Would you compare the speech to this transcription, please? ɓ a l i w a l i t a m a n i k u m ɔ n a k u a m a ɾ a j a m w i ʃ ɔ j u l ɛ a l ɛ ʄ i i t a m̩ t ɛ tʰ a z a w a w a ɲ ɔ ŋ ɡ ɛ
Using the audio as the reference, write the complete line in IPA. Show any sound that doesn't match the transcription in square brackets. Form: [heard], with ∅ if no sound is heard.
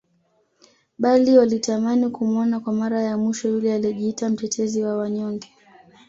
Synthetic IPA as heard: ɓ a l i w a l i t a m a n i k u m ɔ n a k [w] a m a ɾ a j a m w i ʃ ɔ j u l ɛ a l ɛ ʄ i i t a m̩ t ɛ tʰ [ɛ] z [i] w a w a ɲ ɔ ŋ ɡ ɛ